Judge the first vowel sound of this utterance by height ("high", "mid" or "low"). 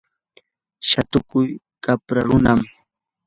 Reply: low